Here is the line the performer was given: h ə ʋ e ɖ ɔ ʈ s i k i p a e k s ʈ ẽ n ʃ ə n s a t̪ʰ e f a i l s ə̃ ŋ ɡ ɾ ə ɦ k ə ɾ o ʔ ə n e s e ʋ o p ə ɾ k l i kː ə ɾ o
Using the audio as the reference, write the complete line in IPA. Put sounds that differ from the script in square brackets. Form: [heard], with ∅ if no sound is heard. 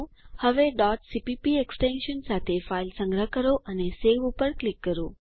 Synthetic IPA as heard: h ə ʋ e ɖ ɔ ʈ s i [p] i p [i] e k s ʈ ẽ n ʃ ə n s a t̪ʰ e f a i l s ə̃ ŋ ɡ ɾ ə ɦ k ə ɾ o ʔ ə n e s e ʋ [u] p ə ɾ k l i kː ə ɾ o